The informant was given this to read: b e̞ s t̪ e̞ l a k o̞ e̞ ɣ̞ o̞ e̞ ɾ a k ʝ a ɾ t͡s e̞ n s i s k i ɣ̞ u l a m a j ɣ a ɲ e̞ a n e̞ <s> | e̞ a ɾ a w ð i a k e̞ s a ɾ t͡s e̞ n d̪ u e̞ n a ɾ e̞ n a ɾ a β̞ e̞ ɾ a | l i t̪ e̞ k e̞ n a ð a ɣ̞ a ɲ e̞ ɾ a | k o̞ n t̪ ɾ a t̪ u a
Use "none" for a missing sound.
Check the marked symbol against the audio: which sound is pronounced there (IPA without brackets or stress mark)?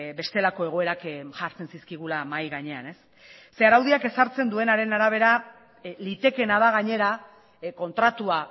sː